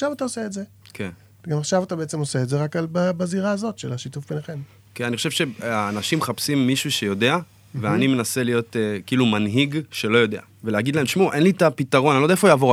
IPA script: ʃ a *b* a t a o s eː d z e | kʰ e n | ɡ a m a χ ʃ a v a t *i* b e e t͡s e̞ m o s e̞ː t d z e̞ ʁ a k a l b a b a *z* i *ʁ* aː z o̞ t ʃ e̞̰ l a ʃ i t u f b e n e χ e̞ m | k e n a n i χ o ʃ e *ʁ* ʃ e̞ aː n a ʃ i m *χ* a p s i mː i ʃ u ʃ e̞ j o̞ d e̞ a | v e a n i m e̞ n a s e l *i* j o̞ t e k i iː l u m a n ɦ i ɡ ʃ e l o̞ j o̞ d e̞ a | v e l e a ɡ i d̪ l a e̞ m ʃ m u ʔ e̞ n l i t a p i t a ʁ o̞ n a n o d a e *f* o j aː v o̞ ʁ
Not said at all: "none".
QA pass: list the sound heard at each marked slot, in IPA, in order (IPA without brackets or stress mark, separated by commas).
v, a, z, ʁ, v, χ, i, f